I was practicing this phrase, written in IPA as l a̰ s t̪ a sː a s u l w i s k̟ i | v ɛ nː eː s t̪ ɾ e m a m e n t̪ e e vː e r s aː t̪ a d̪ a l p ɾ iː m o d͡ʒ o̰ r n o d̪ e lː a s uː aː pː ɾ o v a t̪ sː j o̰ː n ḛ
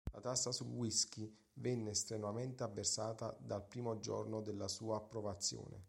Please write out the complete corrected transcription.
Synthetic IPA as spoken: l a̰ t̪ a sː a s u l w i s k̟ i | v ɛ nː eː s t̪ ɾ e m a m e n t̪ e a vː e r s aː t̪ a d̪ a l p ɾ iː m o d͡ʒ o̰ r n o d̪ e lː a s uː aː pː ɾ o v a t̪ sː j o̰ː n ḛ